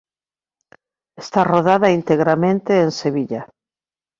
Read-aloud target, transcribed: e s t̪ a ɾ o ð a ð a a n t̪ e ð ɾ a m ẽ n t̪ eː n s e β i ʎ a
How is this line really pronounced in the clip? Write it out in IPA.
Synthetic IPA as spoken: e s t̪ a r o ð a ð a i n t̪ e ɣ ɾ a m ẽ n t̪ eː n s e β i ʎ a